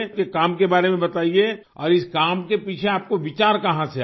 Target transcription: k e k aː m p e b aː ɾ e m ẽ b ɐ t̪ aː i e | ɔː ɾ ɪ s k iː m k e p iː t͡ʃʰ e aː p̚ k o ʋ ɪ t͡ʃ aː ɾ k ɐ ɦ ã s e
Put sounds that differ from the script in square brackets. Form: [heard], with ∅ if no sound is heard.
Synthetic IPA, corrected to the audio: k e k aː m [k] e b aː ɾ e m ẽ b ɐ t̪ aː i e | ɔː ɾ ɪ s k [aː] m k e p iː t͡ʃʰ e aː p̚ k o ʋ ɪ t͡ʃ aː ɾ k ɐ ɦ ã s e